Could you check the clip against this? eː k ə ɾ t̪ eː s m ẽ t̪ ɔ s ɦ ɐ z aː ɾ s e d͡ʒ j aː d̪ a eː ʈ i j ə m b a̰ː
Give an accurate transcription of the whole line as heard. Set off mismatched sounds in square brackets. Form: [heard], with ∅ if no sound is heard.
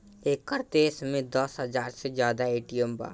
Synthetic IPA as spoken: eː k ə ɾ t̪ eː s m ẽ [d̪] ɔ s ɦ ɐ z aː ɾ s e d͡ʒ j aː d̪ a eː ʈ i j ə m b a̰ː